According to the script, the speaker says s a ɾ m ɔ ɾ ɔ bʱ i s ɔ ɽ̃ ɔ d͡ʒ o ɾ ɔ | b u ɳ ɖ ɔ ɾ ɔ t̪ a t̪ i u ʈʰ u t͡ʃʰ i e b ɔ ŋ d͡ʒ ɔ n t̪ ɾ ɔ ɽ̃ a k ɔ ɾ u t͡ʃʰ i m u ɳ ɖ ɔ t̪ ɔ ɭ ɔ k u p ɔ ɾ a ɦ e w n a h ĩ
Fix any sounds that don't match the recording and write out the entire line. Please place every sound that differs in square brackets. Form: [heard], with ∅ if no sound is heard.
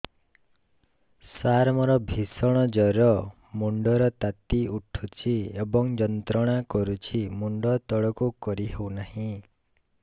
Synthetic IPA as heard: s a ɾ m ɔ ɾ ɔ bʱ i s ɔ ɽ̃ ɔ d͡ʒ [ɔ] ɾ ɔ | [m] u ɳ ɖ ɔ ɾ ɔ t̪ a t̪ i u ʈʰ u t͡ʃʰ i e b ɔ ŋ d͡ʒ ɔ n t̪ ɾ ɔ ɽ̃ a k ɔ ɾ u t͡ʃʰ i m u ɳ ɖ ɔ t̪ ɔ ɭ ɔ k u [k] ɔ ɾ [i] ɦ e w n a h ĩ